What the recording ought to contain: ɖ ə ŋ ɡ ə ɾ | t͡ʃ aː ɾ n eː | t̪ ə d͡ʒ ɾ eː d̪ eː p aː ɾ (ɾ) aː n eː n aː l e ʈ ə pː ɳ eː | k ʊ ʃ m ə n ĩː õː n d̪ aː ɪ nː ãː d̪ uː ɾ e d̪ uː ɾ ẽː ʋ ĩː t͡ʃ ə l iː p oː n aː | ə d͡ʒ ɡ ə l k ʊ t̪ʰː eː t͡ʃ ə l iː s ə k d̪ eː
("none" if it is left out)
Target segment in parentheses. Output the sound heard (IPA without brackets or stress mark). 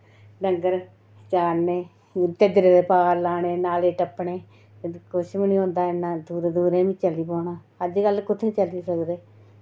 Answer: l